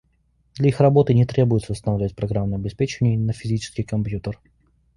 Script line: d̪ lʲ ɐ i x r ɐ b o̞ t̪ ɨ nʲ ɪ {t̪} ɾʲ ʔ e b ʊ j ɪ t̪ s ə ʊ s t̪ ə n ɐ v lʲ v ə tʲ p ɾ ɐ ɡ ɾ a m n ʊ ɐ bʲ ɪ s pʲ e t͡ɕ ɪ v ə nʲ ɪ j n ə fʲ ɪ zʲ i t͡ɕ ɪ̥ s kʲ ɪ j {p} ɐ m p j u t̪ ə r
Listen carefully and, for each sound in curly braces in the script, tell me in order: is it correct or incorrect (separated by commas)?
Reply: correct, incorrect